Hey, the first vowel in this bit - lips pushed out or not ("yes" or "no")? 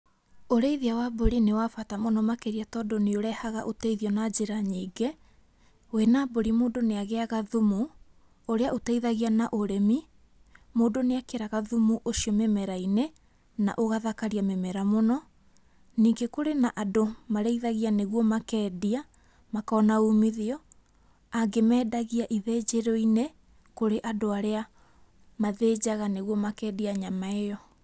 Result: yes